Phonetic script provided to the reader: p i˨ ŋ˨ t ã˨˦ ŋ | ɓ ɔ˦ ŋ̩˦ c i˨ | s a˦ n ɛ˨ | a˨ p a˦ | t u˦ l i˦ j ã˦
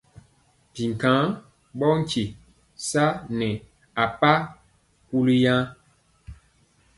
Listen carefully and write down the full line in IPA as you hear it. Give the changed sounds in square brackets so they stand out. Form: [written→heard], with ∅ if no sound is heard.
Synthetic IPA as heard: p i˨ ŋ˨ [t→k] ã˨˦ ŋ | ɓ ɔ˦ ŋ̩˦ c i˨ | s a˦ n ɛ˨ | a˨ p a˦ | [t→k] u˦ l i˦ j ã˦

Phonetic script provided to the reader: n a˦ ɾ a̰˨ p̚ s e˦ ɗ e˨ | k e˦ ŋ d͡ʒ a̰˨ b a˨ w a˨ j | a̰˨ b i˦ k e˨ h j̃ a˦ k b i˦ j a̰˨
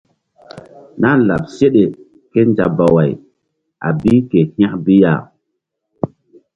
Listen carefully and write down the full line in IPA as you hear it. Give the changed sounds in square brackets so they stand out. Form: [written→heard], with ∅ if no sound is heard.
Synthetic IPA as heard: n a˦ [ɾ→l] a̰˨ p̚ s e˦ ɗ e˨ | k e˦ [ŋ→n] d͡ʒ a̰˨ b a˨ w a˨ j | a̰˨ b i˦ k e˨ h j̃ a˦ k b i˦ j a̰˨

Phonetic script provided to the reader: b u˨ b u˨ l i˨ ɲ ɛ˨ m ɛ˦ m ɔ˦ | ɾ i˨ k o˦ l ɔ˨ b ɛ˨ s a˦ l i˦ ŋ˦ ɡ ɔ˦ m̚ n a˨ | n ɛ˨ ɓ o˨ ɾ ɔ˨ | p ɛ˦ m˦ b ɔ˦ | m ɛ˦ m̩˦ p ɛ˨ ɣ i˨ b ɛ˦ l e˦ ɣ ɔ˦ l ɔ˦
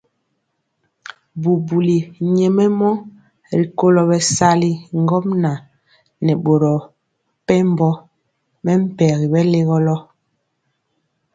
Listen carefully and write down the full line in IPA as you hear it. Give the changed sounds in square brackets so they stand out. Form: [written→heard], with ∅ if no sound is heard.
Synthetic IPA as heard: b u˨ b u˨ l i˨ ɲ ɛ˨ m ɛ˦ m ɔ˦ | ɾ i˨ k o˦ l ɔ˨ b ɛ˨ s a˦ l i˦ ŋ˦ ɡ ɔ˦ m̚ n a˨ | n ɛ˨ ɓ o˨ ɾ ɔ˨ | p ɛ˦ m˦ b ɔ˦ | m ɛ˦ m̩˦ p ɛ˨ ɣ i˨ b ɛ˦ l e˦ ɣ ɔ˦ l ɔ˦

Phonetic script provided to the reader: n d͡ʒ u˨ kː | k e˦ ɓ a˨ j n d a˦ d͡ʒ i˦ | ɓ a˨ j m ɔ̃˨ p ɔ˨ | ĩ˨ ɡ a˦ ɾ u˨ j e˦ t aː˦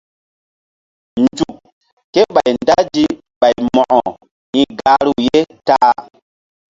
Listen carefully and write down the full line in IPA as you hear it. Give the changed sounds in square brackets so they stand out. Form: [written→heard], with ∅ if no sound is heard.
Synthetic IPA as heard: n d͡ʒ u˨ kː | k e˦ ɓ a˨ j n d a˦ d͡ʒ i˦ | ɓ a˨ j m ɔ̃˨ [p→ʔ] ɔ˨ | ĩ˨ ɡ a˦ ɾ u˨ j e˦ t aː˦

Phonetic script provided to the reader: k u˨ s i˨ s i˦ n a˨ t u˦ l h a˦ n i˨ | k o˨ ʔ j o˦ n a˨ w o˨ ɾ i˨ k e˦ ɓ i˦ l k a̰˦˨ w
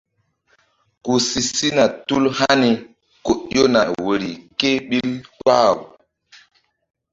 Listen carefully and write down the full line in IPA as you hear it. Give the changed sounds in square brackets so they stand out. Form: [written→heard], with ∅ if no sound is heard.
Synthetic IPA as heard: k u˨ s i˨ s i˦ n a˨ t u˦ l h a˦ n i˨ | k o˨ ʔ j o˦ n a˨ w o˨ ɾ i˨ k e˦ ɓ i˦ l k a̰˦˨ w

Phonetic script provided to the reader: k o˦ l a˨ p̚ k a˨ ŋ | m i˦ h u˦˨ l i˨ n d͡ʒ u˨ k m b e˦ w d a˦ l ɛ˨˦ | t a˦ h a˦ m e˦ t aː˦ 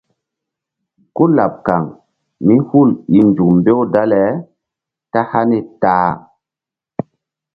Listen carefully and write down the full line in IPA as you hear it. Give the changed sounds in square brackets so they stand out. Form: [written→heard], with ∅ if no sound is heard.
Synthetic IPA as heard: k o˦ l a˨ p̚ k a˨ ŋ | m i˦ h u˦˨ l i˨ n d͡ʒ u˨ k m b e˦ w d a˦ l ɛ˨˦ | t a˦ h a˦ [m→n] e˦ t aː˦

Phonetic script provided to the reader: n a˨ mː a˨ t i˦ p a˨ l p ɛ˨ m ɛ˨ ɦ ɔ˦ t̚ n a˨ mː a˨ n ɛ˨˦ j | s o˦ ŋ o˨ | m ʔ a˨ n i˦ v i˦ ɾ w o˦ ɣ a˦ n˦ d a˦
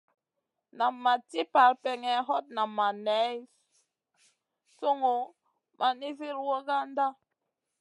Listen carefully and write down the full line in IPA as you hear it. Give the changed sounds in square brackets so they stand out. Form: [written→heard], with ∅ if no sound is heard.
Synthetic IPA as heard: n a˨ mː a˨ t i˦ p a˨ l p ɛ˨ [m→ŋ] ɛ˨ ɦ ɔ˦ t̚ n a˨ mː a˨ n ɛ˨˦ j | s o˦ ŋ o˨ | m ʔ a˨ n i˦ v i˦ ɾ w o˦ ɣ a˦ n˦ d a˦

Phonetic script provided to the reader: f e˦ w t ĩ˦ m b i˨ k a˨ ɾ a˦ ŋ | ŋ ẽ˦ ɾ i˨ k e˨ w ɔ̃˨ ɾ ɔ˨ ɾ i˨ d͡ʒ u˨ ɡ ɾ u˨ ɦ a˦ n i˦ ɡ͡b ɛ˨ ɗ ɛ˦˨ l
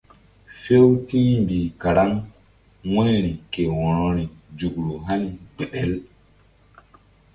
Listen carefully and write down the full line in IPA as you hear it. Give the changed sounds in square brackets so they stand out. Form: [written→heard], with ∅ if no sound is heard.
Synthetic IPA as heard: f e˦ w t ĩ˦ m b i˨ k a˨ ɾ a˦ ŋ | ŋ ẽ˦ ɾ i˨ k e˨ w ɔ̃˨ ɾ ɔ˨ ɾ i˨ d͡ʒ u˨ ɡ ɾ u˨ ɦ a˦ n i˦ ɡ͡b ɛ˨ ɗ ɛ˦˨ l

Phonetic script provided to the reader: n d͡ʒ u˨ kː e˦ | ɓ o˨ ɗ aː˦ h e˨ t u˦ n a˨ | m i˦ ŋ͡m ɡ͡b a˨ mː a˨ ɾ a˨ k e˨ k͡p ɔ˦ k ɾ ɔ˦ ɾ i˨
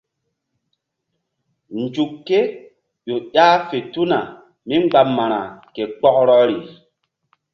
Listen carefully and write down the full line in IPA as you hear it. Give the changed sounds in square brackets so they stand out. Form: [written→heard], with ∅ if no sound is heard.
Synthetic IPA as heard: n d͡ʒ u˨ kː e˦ | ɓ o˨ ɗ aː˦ [h→f] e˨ t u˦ n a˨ | m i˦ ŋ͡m ɡ͡b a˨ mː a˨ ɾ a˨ k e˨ k͡p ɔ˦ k ɾ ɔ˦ ɾ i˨

